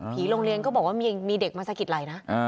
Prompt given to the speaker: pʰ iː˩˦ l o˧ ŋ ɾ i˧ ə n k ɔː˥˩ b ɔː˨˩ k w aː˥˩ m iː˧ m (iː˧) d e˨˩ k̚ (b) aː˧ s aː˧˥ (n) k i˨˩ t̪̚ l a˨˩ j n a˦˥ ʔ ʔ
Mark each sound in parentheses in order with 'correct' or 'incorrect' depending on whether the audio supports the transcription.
correct, incorrect, incorrect

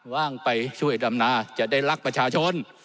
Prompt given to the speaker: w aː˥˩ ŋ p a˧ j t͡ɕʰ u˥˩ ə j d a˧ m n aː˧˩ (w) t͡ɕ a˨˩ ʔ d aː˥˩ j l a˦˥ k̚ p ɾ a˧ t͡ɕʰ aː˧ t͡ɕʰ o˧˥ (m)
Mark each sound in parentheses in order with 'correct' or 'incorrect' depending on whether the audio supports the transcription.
incorrect, incorrect

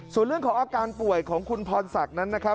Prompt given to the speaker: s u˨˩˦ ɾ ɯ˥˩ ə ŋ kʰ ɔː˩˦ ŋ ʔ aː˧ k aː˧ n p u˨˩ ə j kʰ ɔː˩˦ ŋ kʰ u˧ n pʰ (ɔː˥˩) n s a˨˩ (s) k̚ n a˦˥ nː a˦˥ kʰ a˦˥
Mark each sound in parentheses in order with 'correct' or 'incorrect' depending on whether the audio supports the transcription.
incorrect, incorrect

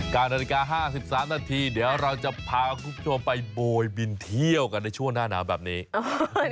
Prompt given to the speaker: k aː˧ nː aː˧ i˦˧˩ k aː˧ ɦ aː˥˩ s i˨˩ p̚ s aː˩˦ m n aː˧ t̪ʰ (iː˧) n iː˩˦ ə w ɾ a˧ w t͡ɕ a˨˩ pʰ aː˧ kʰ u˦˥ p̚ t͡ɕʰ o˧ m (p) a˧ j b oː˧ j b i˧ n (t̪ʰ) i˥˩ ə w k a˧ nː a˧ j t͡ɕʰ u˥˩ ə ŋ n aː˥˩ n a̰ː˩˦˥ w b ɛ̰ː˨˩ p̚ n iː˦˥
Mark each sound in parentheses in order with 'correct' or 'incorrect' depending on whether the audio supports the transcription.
correct, correct, correct

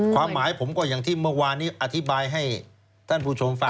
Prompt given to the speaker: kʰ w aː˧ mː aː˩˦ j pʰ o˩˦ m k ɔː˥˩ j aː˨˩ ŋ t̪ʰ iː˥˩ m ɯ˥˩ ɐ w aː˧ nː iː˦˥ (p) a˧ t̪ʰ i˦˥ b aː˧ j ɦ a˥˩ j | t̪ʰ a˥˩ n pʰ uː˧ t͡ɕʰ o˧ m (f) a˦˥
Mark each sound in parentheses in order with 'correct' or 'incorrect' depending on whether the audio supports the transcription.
incorrect, correct

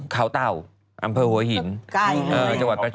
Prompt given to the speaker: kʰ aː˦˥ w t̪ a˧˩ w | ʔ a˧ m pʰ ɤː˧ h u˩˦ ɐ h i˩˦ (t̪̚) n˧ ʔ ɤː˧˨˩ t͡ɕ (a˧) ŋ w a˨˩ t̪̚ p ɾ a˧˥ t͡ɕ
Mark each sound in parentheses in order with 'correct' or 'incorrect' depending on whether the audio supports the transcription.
incorrect, correct

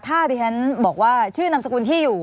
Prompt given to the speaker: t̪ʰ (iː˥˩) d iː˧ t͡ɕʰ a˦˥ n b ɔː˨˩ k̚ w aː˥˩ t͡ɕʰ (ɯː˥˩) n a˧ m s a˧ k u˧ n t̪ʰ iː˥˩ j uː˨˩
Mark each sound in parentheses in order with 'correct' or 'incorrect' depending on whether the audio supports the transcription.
incorrect, correct

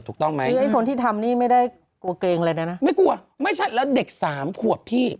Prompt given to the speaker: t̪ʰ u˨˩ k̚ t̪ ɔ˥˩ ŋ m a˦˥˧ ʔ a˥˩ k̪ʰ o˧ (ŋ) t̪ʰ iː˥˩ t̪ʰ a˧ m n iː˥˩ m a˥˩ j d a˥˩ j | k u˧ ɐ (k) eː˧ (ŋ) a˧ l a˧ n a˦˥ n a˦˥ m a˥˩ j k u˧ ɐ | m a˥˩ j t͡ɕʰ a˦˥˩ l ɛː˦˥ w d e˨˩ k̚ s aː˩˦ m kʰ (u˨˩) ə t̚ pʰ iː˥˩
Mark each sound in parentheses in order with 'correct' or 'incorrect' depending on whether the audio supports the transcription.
incorrect, correct, correct, correct

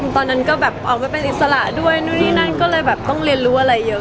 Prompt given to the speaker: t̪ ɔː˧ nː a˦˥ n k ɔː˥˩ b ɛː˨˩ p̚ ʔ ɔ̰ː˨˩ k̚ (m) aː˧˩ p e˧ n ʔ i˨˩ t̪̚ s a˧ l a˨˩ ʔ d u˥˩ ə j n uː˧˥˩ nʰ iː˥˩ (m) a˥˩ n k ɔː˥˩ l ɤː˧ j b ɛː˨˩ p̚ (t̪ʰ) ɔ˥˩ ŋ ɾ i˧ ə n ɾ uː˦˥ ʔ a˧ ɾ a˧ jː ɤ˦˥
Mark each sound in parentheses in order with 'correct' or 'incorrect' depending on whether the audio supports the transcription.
correct, incorrect, incorrect

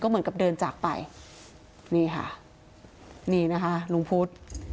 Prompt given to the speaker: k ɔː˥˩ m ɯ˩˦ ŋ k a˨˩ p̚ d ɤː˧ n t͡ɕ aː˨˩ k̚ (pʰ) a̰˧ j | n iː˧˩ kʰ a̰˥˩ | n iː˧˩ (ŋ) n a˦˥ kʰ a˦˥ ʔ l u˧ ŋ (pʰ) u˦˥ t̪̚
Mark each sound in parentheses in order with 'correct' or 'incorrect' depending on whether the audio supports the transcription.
incorrect, incorrect, correct

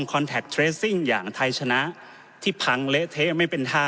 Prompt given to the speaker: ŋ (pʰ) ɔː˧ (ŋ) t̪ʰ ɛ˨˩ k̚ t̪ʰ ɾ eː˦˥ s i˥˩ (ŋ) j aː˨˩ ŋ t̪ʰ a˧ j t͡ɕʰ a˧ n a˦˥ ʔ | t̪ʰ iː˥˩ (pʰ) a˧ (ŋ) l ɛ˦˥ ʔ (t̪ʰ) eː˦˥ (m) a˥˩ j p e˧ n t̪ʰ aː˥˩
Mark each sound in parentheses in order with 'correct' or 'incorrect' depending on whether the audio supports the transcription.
incorrect, incorrect, correct, correct, correct, correct, correct

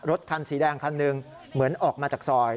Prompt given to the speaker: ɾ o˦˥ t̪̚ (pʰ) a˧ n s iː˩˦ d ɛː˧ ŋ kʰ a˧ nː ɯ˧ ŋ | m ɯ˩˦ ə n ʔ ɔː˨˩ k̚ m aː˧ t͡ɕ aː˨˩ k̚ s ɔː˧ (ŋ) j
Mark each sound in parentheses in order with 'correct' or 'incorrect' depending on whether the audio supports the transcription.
incorrect, incorrect

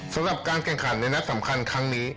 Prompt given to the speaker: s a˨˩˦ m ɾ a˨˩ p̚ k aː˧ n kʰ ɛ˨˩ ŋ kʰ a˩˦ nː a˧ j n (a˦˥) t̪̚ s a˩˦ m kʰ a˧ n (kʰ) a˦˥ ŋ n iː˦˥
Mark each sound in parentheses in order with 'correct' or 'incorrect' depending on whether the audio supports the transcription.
correct, correct

